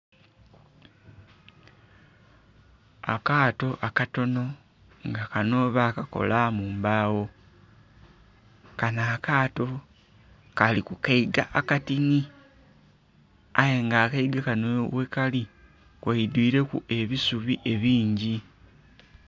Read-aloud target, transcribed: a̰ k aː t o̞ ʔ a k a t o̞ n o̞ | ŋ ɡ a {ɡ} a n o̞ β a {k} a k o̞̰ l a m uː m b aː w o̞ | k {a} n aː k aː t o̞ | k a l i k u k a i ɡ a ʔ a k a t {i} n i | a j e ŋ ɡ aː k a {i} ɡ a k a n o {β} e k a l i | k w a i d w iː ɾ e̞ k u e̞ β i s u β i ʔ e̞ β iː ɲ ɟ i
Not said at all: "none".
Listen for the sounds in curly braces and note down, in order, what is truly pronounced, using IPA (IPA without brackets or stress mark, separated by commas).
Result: k, k, a, i, i, w